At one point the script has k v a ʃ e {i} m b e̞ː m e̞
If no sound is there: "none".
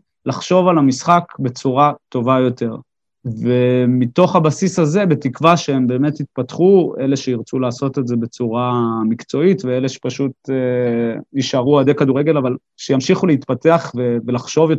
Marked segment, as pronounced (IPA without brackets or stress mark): e